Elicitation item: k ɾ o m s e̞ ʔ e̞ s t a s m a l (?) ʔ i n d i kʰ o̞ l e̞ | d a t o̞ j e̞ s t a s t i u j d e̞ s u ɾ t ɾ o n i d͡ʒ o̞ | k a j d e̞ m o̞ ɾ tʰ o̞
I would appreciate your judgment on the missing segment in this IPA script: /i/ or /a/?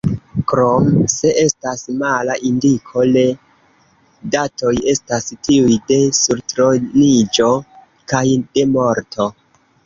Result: a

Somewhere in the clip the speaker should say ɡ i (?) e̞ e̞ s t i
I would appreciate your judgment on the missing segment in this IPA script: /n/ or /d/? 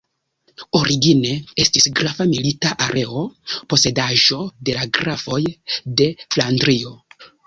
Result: n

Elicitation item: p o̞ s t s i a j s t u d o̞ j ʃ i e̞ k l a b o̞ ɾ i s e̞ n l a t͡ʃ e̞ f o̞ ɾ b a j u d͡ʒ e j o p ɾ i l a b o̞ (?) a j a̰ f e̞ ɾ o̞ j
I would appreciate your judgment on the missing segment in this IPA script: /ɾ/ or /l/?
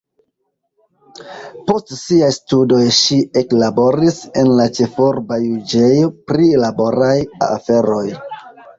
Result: ɾ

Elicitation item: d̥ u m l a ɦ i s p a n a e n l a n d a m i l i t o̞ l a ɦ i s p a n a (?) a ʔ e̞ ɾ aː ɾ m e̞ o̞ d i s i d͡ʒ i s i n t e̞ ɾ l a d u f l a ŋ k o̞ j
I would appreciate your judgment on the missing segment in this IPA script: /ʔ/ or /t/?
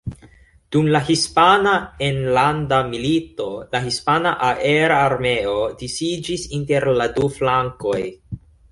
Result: ʔ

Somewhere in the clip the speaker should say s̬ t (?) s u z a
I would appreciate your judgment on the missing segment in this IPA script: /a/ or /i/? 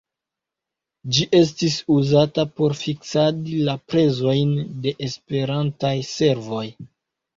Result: i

